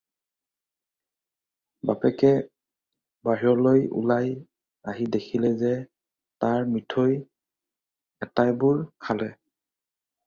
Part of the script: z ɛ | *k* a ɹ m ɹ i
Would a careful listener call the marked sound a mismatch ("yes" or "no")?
yes